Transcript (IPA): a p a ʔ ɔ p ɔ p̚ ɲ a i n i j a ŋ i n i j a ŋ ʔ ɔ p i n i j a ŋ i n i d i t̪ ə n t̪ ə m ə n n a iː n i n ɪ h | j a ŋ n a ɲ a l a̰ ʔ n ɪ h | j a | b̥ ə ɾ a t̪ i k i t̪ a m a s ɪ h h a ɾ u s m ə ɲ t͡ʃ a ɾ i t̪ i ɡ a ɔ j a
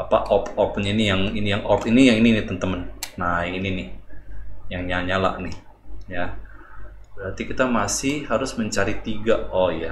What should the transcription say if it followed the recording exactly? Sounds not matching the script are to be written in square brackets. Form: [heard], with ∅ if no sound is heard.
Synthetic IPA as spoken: a p a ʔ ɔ p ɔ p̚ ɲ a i n i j a ŋ i n i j a ŋ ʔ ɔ p i n i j a ŋ i n i [n] i t̪ ə n t̪ ə m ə n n a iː n i n ɪ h | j a ŋ [ɲ] a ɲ a l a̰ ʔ n ɪ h | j a | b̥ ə ɾ a t̪ i k i t̪ a m a s ɪ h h a ɾ [ʊ] s m ə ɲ t͡ʃ a ɾ i t̪ i ɡ a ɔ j a